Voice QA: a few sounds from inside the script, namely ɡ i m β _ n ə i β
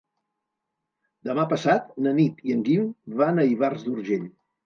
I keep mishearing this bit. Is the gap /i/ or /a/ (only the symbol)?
a